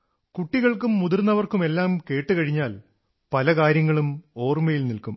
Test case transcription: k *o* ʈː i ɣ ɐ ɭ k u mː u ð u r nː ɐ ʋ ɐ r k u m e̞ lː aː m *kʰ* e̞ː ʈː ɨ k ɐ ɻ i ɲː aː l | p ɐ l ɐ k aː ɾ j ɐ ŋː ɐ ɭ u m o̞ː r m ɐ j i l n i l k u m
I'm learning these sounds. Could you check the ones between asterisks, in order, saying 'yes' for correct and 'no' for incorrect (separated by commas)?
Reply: no, no